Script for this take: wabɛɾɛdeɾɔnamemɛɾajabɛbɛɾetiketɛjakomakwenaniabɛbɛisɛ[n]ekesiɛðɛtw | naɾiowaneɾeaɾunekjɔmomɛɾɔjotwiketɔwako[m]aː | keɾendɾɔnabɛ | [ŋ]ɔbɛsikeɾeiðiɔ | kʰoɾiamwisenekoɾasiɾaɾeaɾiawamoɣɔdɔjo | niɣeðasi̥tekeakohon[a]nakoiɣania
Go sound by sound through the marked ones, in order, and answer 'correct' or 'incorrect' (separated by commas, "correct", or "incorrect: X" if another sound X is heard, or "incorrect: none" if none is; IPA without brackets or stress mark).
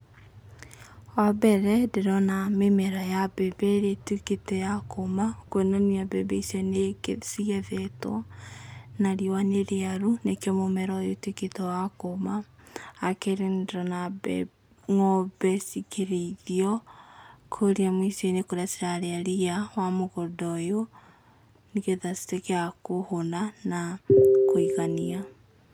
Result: correct, correct, correct, correct